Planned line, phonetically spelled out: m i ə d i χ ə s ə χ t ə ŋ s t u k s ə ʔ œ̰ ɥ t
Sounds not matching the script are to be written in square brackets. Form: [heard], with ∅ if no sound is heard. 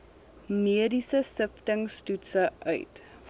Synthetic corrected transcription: m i ə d i [s] ə s ə [f] t ə ŋ s t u [t] s ə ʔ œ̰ ɥ t